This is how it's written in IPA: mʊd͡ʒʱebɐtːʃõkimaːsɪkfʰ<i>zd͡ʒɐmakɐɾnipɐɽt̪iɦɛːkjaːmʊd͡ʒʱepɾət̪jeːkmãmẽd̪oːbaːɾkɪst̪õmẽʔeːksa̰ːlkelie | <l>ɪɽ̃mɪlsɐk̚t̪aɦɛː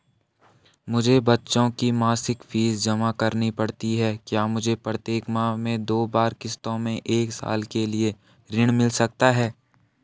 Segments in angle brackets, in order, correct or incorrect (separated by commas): incorrect, incorrect